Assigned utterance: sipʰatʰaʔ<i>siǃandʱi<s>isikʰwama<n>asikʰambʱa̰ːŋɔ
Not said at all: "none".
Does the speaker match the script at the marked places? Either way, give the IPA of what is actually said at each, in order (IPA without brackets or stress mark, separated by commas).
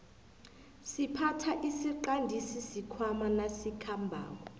i, s, n